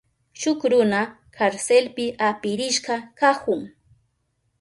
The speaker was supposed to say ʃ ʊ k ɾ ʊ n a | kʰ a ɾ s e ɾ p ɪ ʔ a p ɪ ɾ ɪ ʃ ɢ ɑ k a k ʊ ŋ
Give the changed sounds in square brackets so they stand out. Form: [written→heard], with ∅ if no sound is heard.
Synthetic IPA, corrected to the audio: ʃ ʊ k ɾ ʊ n a | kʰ a ɾ s e [ɾ→l] p ɪ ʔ a p ɪ ɾ ɪ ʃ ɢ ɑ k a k ʊ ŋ